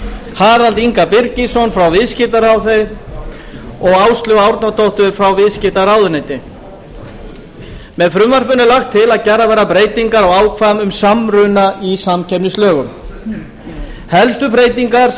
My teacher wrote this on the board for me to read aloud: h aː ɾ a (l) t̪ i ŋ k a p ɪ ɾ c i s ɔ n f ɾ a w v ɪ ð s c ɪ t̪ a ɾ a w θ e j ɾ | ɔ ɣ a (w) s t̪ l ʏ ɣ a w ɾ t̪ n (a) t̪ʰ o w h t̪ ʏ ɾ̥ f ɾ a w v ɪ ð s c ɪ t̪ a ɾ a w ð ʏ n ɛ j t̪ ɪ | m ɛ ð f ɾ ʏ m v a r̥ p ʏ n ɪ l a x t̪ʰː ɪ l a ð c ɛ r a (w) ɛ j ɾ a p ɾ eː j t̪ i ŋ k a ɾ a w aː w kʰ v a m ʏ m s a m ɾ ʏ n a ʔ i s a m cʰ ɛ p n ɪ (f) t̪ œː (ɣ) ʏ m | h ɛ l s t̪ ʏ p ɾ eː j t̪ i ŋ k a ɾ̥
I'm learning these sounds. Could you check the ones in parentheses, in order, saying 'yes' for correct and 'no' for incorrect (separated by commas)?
yes, yes, yes, no, no, yes